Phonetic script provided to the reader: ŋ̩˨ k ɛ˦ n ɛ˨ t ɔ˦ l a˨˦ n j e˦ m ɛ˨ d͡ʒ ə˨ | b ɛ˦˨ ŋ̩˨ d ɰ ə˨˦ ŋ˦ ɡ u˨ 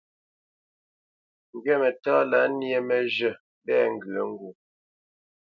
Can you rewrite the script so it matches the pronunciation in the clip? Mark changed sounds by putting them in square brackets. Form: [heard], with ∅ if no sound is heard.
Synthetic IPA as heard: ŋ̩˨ [ɡ] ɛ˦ [m] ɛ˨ t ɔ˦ l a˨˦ n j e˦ m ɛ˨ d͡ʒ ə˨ | b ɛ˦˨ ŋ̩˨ [ɡ] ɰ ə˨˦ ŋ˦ ɡ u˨